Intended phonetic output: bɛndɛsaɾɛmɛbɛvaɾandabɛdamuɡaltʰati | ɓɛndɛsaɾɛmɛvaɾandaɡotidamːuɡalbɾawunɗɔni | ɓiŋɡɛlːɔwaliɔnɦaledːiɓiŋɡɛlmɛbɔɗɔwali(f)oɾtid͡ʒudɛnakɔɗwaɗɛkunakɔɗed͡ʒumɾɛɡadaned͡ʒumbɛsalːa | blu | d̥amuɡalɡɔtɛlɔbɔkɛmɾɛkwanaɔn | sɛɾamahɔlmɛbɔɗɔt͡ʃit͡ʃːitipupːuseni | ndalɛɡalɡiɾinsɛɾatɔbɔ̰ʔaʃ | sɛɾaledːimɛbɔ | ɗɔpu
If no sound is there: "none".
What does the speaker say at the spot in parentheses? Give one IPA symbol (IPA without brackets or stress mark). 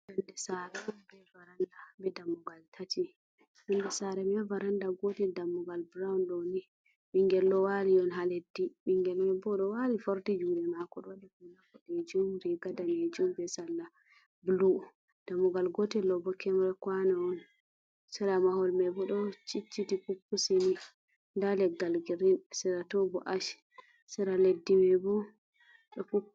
f